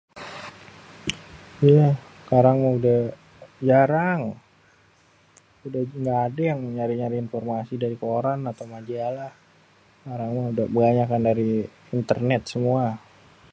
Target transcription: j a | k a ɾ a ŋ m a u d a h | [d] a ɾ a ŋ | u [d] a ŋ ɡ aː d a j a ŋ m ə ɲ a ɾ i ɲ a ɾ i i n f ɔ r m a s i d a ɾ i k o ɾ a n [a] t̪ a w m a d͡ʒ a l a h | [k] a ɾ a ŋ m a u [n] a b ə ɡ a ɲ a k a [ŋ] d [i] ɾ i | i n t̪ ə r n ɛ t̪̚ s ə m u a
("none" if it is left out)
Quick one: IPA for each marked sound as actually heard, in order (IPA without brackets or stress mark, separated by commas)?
d͡ʒ, d, a, k, d, n, a